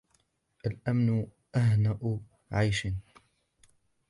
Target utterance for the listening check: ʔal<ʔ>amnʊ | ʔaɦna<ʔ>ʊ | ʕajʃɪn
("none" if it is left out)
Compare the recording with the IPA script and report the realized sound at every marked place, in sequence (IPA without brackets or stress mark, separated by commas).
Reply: ʔ, ʔ